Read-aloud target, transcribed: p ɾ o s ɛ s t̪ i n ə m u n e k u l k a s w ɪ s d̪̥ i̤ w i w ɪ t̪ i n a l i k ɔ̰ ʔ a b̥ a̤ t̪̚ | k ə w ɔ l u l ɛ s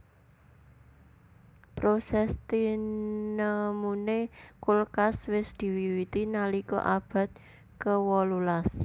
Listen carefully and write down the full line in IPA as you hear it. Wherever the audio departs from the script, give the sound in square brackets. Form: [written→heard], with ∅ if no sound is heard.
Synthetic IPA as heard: p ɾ o s ɛ s t̪ i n ə m u n e k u l k a s w ɪ s d̪̥ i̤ w i w [ɪ→i] t̪ i n a l i k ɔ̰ ʔ a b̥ a̤ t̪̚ | k ə w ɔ l u l [ɛ→a] s